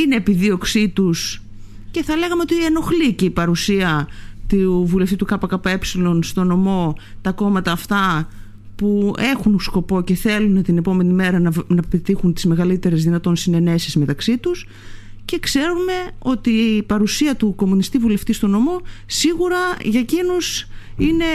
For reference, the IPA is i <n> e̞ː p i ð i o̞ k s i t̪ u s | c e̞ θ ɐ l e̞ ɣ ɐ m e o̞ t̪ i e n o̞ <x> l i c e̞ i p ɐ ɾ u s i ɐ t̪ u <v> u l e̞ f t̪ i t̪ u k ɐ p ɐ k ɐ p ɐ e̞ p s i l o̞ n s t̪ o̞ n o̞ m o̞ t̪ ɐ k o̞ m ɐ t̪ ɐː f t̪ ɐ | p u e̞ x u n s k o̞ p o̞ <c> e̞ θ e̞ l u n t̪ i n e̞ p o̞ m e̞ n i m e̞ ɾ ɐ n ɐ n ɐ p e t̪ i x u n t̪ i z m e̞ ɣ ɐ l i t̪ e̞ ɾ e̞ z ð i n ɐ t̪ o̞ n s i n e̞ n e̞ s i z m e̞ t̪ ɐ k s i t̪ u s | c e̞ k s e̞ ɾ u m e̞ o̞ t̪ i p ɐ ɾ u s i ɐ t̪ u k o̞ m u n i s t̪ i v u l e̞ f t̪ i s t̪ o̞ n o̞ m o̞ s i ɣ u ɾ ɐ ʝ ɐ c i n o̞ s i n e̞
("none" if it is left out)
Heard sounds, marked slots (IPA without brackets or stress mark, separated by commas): n, x, v, c